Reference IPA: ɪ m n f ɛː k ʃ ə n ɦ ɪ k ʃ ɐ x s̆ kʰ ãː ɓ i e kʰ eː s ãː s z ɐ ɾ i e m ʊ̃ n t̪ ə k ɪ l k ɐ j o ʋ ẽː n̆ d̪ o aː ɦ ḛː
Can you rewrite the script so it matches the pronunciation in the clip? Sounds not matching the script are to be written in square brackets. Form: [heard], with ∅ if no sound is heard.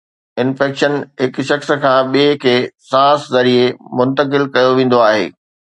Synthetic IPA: ɪ [∅] n f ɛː k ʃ ə n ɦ ɪ k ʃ ɐ x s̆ kʰ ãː ɓ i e kʰ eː s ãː s z ɐ ɾ i e m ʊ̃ n t̪ ə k ɪ l k ɐ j o ʋ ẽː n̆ d̪ o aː ɦ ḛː